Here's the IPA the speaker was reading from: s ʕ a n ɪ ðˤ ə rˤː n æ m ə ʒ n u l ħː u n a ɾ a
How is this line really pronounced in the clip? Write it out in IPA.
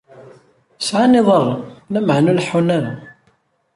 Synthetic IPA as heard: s ʕ a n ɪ ðˤ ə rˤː n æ m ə ʕ n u l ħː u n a ɾ a